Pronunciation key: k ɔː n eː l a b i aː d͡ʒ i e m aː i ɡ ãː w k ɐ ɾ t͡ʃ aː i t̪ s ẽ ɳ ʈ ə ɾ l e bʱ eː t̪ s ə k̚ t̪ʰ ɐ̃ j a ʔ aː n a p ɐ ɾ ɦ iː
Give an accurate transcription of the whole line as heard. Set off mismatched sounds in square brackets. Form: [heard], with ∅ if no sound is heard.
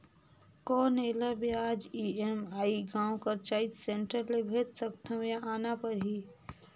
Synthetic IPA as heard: k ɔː n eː l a b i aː d͡ʒ i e m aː i ɡ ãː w k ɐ ɾ t͡ʃ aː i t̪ s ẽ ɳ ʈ ə ɾ l e bʱ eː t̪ s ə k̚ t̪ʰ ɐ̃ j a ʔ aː n a p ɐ ɾ ɦ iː